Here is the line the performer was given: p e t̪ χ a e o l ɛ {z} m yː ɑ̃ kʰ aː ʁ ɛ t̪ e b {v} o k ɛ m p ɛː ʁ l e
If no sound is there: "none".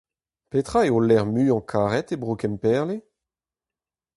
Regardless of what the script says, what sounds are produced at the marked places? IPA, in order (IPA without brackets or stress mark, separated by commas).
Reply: ʁ, ʁ